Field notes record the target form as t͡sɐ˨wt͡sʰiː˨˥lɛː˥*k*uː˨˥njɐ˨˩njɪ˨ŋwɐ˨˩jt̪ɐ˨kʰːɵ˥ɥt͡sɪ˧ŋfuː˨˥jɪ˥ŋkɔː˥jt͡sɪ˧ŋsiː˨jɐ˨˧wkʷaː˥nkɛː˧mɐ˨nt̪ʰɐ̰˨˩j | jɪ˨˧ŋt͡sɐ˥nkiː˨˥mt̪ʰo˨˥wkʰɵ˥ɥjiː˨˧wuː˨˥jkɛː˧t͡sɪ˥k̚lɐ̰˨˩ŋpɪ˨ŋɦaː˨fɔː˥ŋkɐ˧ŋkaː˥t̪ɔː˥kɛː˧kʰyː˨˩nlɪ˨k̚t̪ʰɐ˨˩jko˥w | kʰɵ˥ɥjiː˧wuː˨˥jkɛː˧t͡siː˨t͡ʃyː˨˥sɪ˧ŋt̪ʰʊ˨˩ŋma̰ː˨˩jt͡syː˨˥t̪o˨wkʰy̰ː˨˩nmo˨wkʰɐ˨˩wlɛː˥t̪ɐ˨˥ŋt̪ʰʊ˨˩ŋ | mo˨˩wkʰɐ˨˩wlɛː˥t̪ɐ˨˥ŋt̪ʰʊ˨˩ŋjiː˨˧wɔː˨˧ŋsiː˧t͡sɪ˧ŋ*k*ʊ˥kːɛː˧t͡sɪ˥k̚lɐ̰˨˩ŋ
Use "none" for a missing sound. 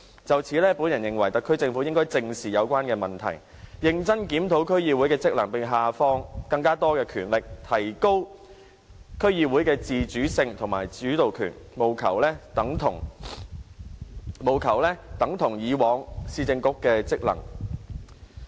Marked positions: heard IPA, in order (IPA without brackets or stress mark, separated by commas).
p, k